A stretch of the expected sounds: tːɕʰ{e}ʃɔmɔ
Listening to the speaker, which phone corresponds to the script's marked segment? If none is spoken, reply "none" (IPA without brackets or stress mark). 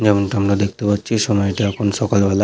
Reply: i